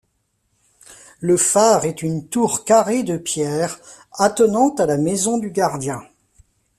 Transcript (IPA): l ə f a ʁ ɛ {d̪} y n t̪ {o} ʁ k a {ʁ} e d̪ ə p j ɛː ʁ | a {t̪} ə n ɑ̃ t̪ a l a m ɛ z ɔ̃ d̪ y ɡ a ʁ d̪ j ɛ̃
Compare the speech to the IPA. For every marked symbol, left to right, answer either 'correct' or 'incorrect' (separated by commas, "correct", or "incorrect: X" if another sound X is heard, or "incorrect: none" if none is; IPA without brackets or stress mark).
incorrect: t̪, incorrect: u, correct, correct